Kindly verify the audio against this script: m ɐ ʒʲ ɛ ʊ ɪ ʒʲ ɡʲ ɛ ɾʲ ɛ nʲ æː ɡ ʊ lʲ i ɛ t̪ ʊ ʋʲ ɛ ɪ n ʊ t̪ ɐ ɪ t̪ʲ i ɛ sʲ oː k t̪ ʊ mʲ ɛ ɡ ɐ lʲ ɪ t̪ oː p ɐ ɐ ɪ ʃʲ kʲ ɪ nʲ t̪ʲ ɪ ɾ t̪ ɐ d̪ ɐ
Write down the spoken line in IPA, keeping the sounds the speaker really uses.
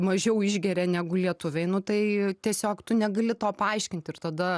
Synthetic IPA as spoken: m ɐ ʒʲ ɛ ʊ ɪ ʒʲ ɡʲ ɛ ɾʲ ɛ nʲ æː ɡ ʊ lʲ i ɛ t̪ ʊ ʋʲ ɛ ɪ n ʊ t̪ ɐ ɪ t̪ʲ i ɛ sʲ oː k t̪ ʊ nʲ ɛ ɡ ɐ lʲ ɪ t̪ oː p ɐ ɐ ɪ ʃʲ kʲ ɪ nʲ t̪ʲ ɪ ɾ t̪ ɐ d̪ ɐ